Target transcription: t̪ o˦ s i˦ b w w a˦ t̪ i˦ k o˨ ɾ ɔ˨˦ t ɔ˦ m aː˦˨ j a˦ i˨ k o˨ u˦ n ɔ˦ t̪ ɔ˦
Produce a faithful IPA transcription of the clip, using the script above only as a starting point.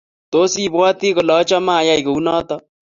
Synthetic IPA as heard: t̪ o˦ s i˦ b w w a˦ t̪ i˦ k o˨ l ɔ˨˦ t͡ʃ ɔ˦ m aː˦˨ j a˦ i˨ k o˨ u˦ n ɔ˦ t̪ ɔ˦